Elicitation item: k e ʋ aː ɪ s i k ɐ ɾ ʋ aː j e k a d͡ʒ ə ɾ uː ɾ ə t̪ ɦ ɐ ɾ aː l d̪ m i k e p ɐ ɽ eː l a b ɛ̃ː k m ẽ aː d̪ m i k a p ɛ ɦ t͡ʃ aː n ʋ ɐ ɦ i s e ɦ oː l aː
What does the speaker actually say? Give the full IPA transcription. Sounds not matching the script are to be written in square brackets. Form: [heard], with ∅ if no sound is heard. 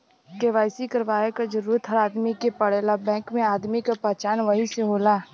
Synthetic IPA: k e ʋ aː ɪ s i k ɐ ɾ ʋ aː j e k a d͡ʒ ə ɾ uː ɾ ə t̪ ɦ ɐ ɾ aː [∅] d̪ m i k e p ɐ ɽ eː l a b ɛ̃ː k m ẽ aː d̪ m i k a p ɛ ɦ t͡ʃ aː n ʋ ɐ ɦ i s e ɦ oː l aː